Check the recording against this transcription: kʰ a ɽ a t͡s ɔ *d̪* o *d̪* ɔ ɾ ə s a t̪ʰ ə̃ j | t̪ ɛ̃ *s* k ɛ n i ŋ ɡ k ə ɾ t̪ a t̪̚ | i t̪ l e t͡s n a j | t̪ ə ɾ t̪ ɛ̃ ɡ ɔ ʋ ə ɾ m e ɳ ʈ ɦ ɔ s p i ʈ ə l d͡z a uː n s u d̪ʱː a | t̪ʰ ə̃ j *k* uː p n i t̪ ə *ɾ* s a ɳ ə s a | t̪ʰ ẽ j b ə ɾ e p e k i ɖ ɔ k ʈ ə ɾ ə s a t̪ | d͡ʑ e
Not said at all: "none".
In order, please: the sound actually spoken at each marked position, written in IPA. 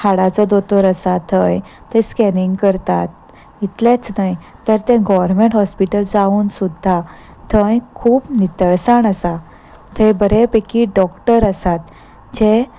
d̪, t̪, s, kʰ, ɭ

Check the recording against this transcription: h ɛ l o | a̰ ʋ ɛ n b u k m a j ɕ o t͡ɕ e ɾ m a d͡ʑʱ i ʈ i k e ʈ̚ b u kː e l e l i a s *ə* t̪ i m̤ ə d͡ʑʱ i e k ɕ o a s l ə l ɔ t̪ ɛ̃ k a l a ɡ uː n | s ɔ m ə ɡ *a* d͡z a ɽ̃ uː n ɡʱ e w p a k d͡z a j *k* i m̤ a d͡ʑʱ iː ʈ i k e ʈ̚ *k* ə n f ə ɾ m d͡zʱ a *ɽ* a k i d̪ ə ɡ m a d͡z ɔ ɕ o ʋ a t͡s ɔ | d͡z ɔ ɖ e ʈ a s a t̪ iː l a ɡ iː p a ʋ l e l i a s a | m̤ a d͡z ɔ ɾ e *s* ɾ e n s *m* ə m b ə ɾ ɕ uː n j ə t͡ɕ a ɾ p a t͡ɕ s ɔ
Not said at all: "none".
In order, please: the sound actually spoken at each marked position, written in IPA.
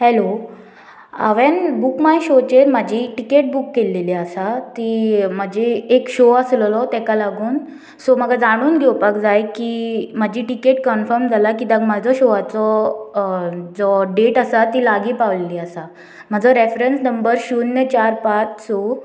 a, a, k, k, l, f, n

